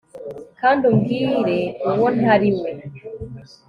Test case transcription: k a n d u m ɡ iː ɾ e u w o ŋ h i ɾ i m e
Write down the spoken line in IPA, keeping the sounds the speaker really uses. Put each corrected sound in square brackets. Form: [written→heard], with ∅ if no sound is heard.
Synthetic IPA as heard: k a n d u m ɡ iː ɾ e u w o [ŋ→n] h [i→a] ɾ i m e